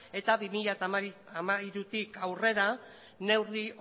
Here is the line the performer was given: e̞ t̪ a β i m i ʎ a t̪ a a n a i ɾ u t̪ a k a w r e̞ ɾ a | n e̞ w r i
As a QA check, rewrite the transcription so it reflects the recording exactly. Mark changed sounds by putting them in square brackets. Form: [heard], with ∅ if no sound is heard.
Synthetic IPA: e̞ t̪ a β i m i ʎ a t̪ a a [m] a i ɾ u t̪ [i] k a w r e̞ ɾ a | n e̞ w r i